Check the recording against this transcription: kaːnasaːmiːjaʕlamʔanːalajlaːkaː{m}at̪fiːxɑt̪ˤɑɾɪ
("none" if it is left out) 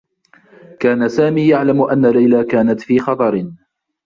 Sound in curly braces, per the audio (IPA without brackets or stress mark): n